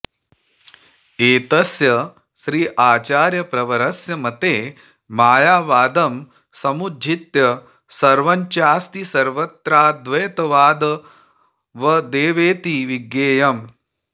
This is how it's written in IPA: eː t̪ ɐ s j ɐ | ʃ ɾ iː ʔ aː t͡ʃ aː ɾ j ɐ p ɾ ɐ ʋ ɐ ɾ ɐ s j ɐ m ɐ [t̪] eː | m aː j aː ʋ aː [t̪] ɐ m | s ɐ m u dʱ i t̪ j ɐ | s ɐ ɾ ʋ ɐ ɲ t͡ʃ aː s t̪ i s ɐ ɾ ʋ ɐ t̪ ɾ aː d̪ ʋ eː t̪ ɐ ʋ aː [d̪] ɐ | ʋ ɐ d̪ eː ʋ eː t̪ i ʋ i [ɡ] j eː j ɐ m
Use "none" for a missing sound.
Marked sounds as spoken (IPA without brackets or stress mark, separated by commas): t̪, d̪, d̪, ɡ